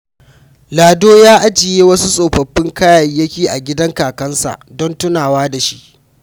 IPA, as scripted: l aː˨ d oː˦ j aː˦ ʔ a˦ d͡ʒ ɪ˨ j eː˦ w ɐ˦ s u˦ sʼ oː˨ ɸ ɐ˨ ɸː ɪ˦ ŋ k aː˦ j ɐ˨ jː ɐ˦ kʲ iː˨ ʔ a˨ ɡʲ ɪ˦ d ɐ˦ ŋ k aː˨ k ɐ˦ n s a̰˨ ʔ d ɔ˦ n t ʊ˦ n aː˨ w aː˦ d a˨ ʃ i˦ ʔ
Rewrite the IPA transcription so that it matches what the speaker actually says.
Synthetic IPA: l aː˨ d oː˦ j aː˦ ʔ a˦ d͡ʒ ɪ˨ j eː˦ w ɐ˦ s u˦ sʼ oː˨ ɸ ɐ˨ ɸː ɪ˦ ŋ k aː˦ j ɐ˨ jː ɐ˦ kʲ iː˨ ʔ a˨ ɡʲ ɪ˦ d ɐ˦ ŋ k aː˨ k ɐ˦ n s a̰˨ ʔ d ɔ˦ n t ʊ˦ n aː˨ w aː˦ d a˨ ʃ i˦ ʔ